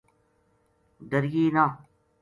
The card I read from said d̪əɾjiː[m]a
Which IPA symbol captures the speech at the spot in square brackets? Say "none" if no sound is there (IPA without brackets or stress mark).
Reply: n